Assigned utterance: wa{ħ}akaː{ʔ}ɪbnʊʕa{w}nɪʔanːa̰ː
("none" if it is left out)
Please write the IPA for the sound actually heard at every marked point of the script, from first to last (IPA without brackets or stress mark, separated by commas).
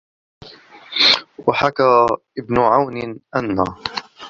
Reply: ħ, ʔ, w